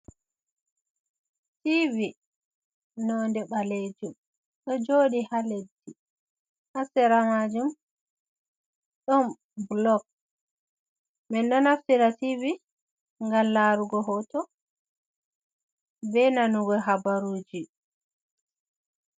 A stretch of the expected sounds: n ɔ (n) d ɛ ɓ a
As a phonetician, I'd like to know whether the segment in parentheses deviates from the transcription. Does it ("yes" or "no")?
no